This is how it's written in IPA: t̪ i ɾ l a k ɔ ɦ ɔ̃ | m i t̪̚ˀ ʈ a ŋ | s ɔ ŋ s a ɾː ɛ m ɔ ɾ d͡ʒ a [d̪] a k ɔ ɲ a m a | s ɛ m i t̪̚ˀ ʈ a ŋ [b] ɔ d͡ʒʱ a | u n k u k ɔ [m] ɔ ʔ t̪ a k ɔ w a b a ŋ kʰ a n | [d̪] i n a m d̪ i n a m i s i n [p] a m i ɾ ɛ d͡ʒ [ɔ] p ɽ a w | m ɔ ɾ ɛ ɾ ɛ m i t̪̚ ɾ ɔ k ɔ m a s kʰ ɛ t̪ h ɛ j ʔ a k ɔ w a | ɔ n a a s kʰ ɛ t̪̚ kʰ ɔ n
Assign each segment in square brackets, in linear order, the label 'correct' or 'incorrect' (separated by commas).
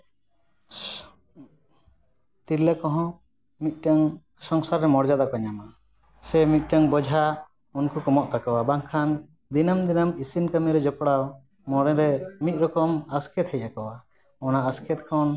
correct, correct, correct, correct, incorrect, correct